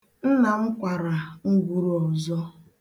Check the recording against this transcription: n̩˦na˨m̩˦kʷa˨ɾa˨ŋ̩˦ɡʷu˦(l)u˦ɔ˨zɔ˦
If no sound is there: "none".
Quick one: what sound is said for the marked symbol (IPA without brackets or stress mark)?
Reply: ɾ